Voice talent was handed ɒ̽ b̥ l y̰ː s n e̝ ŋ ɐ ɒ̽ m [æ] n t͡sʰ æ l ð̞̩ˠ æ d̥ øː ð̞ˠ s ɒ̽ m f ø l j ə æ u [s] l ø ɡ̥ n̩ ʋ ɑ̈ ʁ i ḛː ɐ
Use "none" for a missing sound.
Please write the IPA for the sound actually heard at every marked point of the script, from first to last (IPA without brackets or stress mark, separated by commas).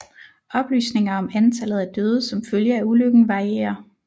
æ, none